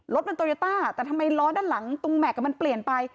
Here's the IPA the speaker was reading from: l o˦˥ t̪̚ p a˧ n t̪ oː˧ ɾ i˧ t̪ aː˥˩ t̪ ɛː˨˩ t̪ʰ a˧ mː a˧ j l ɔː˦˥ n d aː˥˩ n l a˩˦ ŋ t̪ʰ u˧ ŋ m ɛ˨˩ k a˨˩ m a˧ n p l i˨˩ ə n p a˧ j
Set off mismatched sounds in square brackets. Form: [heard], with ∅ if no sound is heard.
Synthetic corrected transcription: l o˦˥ t̪̚ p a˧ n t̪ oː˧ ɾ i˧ t̪ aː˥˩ t̪ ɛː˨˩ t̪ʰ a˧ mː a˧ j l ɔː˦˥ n d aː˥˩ n l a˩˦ ŋ [t̪] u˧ ŋ m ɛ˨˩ k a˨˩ m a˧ n p l i˨˩ ə n p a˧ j